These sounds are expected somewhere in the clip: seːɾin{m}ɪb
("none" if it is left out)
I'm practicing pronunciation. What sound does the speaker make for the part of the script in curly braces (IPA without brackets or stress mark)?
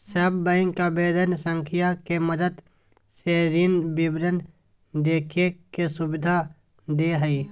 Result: b